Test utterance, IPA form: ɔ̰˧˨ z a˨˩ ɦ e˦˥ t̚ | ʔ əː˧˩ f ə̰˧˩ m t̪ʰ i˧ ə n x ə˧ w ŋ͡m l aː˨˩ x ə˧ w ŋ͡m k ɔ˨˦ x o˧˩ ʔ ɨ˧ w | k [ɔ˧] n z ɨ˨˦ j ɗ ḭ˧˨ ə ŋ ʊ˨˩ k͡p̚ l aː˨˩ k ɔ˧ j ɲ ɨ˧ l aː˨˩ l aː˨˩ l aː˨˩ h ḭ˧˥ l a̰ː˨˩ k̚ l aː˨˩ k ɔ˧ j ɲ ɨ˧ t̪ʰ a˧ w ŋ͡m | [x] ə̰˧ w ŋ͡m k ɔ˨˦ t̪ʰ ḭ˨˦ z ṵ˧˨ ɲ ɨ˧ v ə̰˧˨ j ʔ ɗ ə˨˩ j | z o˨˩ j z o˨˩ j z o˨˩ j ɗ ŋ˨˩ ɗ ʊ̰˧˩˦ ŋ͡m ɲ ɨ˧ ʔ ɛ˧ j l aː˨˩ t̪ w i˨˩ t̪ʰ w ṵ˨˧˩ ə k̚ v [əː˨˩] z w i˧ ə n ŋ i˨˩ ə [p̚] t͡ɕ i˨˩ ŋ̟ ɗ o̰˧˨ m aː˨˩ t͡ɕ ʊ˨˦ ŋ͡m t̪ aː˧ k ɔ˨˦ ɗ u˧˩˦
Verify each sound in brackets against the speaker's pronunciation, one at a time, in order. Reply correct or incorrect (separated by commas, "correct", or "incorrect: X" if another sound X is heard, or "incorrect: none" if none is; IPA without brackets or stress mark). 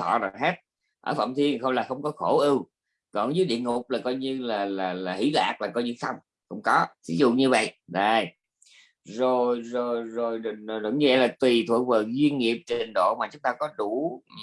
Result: incorrect: ɔ˨˩, correct, correct, correct